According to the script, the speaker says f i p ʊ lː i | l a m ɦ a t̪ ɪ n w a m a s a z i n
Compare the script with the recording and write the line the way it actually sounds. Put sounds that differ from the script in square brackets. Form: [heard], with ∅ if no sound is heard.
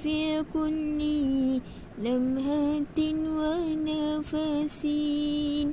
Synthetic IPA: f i [k] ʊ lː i | l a m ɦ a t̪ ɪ n w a [n] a [f] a [s] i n